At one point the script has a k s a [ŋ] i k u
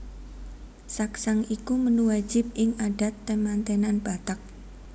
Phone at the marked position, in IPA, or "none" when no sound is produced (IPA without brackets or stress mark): ŋ